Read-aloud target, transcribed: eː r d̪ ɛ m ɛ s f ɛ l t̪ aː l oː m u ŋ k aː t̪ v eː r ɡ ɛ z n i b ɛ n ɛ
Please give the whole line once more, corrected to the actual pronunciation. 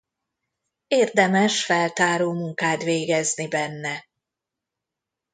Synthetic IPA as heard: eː r d̪ ɛ m ɛ ʃ f ɛ l t̪ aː ɾ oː m u ŋ k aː t̪ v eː ɡ ɛ z n i b ɛ nː ɛ